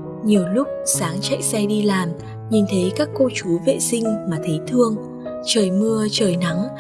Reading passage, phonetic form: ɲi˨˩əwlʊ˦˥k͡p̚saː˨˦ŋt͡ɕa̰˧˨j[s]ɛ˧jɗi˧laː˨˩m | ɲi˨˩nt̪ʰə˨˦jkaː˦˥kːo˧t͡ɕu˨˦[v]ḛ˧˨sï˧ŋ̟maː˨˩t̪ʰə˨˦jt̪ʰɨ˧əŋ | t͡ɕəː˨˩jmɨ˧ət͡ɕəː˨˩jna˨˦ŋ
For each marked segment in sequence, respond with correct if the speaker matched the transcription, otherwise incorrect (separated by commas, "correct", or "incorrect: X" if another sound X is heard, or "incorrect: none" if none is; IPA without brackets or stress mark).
correct, correct